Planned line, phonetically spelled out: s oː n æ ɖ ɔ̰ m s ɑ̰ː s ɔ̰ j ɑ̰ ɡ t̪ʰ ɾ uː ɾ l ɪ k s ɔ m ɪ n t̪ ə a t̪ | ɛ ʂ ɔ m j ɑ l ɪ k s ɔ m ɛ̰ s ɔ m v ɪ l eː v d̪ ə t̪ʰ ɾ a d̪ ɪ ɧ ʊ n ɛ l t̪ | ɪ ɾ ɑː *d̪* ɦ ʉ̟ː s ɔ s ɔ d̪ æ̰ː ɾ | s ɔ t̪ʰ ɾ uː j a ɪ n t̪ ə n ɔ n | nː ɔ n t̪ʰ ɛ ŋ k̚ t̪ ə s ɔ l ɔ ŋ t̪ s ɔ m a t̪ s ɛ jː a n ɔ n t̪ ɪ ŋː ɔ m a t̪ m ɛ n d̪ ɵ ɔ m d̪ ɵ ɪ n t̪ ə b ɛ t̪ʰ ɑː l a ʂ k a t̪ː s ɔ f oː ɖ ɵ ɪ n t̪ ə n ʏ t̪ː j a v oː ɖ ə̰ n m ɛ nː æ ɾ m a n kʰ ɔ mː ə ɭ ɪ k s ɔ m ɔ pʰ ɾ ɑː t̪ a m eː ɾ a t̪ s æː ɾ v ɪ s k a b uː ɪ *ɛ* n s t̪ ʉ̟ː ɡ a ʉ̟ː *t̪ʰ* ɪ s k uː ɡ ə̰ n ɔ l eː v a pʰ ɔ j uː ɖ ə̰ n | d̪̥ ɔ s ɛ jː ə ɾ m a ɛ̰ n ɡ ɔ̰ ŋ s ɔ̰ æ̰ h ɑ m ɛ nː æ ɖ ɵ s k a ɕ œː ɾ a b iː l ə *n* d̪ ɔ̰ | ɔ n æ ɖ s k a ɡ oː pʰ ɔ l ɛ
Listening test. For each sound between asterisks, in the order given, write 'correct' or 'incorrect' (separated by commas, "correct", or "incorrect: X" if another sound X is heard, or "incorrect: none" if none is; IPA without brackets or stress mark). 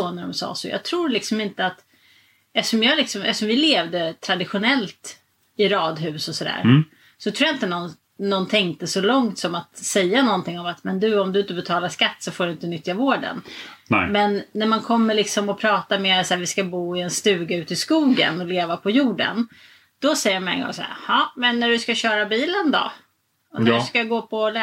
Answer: correct, correct, incorrect: t̪, correct